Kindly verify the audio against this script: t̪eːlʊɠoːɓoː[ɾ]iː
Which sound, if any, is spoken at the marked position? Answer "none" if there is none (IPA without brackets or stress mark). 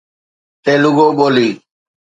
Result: l